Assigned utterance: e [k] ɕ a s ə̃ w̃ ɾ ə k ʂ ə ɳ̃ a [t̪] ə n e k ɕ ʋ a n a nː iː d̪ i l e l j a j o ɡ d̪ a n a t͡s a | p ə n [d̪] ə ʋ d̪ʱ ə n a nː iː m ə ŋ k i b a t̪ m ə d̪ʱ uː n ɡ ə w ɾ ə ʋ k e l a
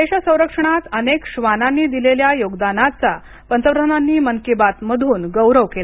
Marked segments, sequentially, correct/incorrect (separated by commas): incorrect, correct, incorrect